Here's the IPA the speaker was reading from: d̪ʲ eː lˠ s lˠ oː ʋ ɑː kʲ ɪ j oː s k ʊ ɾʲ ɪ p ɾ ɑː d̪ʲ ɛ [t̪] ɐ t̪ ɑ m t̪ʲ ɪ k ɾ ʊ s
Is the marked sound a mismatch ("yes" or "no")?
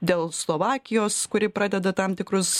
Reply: yes